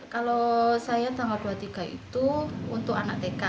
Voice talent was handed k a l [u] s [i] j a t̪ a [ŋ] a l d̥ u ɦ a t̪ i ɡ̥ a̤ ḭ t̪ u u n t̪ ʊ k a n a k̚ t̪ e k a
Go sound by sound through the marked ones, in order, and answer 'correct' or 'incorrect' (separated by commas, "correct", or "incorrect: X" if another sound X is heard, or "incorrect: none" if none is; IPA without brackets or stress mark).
incorrect: o, incorrect: a, correct